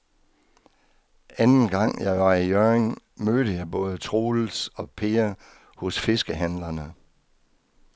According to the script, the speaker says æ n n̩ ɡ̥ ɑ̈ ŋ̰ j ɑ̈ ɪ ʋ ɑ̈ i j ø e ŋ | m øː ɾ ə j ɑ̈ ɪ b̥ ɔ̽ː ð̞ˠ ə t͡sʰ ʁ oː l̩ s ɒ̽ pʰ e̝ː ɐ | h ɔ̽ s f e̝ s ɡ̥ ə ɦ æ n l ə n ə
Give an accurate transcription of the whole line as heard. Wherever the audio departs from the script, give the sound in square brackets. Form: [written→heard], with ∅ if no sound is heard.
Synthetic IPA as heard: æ n n̩ ɡ̥ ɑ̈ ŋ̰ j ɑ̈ ɪ ʋ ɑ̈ i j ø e ŋ | m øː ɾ ə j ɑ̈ ɪ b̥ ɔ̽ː ð̞ˠ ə t͡sʰ ʁ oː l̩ s ɒ̽ pʰ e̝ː ɐ | h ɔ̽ s f e̝ s ɡ̥ ə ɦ æ n l [ə→ɐ] n ə